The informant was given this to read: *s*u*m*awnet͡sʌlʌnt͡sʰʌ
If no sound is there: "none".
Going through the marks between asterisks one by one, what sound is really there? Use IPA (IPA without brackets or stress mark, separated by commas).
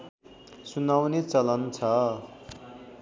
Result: s, n